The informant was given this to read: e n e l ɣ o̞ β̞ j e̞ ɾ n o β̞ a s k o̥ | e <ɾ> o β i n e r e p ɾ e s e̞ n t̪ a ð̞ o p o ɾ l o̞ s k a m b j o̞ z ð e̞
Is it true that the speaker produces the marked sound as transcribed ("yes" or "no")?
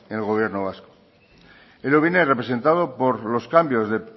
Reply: no